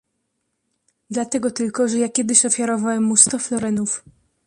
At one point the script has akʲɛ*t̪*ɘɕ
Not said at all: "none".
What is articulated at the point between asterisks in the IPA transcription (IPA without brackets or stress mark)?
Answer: d̪